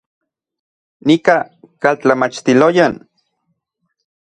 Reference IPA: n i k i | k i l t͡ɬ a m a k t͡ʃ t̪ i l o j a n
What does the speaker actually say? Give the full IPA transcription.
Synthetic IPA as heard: n i k a | k a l t͡ɬ a m a t͡ʃ t̪ i l o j a n